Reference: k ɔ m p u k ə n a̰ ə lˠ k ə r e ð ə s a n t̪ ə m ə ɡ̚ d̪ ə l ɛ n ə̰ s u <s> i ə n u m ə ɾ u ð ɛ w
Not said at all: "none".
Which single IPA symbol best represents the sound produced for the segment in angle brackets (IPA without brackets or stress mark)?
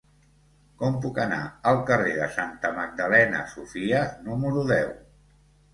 f